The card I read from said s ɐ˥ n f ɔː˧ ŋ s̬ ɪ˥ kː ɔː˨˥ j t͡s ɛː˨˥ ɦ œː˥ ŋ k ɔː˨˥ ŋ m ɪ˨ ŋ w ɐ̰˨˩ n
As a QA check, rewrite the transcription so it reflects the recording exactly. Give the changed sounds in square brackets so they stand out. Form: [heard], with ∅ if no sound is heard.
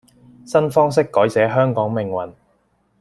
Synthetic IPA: s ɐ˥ n f [ɔː˥] ŋ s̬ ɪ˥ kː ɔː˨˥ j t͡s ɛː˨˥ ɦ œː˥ ŋ k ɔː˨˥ ŋ m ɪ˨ ŋ w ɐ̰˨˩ n